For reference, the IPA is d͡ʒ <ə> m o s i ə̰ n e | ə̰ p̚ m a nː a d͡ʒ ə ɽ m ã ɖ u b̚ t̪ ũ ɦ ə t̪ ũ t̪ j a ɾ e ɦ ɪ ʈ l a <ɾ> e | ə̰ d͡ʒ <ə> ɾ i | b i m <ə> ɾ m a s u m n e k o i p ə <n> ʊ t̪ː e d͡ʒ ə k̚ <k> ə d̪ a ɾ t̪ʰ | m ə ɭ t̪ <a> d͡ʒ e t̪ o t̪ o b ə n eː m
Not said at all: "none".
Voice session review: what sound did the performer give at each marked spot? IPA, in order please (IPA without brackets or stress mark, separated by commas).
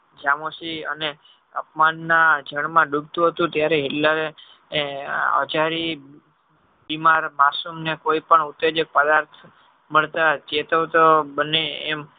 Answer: a, ɾ, a, a, ɳ, p, a